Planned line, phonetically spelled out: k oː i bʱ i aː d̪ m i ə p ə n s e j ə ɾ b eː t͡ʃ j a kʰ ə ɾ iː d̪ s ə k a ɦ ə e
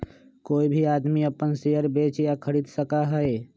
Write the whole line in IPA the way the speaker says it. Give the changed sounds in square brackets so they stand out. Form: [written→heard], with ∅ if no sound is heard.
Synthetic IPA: k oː i bʱ i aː d̪ m i ə p ə n s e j ə ɾ b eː t͡ʃ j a kʰ ə ɾ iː d̪ s ə k a ɦ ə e